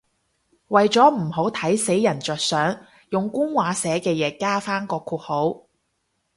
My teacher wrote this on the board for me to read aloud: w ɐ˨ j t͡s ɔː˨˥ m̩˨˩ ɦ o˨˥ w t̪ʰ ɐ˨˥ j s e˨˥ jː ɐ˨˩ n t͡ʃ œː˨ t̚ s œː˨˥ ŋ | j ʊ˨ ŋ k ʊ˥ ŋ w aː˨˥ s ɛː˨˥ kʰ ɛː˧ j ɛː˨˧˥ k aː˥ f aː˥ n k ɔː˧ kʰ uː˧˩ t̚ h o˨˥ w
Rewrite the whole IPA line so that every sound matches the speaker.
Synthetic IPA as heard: w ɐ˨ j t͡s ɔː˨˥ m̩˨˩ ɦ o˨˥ w t̪ʰ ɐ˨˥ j s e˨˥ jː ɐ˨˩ n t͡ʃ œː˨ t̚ s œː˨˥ ŋ | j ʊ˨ ŋ k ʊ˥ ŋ w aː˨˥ s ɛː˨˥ k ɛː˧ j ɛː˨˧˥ k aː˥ f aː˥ n k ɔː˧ kʰ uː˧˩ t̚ h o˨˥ w